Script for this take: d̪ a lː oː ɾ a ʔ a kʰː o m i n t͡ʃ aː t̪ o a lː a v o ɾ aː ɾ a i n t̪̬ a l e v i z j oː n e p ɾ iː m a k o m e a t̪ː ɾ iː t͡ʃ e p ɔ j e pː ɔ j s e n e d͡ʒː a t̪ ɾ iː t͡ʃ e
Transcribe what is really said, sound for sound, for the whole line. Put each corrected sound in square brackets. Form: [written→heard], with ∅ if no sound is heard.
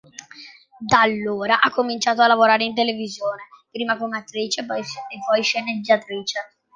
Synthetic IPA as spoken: d̪ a lː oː ɾ a ʔ a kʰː o m i n t͡ʃ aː t̪ o a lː a v o ɾ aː ɾ [a→e] i n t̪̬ [a→e] l e v i z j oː n e p ɾ iː m a k o m e a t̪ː ɾ iː t͡ʃ e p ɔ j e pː ɔ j [s→ʃ] e n e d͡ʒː a t̪ ɾ iː t͡ʃ e